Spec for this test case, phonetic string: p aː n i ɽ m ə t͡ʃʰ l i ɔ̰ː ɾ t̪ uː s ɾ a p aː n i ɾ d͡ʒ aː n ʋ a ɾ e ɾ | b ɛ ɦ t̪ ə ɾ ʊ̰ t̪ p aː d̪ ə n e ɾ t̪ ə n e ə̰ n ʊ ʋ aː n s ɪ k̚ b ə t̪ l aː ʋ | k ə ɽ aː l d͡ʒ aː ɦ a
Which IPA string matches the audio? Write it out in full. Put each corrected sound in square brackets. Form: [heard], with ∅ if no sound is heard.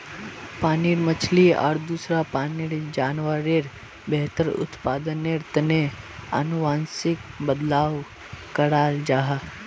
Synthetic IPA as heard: p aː n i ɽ m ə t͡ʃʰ l i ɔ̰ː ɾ [d̪] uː s ɾ a p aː n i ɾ d͡ʒ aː n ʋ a ɾ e ɾ | b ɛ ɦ t̪ ə ɾ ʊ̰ t̪ p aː d̪ ə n e ɾ t̪ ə n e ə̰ n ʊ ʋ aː n s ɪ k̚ b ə [d̪] l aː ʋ | k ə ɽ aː l d͡ʒ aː ɦ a